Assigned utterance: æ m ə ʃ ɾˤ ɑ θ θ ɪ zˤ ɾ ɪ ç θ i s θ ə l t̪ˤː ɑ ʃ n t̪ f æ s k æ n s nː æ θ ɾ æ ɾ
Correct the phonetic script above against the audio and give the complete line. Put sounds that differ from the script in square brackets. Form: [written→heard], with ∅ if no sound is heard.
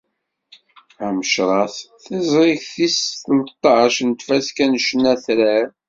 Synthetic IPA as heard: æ m ə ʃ ɾˤ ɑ θ θ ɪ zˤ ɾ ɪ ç θ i s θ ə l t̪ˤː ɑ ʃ n t̪ f æ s k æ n [s→ʃ] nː æ θ ɾ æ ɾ